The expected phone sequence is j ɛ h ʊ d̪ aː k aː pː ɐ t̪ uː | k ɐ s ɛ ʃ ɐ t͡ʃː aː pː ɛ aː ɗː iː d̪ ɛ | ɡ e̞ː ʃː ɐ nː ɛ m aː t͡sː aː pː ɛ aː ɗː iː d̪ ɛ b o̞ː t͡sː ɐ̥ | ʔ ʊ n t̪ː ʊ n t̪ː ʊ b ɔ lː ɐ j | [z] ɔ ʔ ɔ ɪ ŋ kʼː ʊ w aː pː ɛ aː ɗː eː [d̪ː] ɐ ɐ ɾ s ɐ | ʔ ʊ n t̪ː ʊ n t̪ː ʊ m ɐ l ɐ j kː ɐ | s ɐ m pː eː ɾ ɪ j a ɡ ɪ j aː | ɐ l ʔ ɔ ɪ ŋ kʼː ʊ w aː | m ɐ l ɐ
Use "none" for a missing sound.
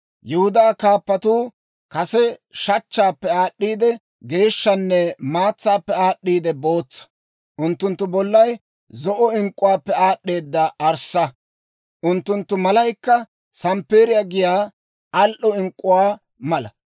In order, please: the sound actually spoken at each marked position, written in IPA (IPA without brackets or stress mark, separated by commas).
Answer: z, d̪ː